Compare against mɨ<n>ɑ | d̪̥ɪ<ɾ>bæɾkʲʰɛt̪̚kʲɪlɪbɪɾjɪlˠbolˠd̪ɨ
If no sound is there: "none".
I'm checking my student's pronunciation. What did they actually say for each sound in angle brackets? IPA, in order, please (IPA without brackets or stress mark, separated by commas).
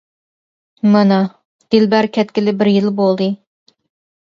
n, l